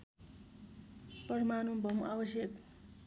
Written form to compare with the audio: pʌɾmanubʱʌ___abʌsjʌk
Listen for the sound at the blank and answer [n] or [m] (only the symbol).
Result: m